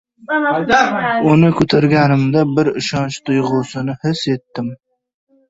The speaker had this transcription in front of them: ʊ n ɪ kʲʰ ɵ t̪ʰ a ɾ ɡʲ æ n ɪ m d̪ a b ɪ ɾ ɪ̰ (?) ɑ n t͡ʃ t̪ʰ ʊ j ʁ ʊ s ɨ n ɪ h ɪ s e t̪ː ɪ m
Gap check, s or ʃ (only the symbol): ʃ